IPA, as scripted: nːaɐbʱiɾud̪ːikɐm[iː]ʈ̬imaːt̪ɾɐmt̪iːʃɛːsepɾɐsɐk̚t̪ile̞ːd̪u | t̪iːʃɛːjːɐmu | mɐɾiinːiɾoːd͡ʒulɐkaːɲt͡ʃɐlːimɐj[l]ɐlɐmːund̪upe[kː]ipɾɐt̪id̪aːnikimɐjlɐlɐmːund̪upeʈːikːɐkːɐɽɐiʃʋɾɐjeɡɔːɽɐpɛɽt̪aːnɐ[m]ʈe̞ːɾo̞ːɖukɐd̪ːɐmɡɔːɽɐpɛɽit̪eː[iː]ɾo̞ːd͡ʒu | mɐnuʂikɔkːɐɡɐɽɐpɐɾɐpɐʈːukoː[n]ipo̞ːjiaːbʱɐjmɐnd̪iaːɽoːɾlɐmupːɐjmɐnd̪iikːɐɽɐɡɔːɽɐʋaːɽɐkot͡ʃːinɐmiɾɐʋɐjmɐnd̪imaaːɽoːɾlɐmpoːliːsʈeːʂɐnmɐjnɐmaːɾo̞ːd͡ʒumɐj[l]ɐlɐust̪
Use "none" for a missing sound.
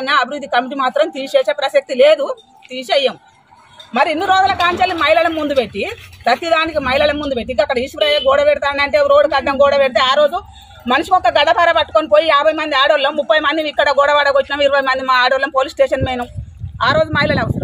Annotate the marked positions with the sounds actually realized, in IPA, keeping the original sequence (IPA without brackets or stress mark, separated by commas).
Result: i, l, ʈː, ɳ, aː, n, l